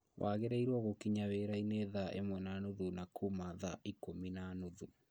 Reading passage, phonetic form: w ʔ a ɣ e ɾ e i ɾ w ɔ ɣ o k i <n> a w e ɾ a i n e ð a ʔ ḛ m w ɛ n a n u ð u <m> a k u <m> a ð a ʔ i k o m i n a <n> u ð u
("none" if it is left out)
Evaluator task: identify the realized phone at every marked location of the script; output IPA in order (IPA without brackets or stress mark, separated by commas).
ɲ, n, m, n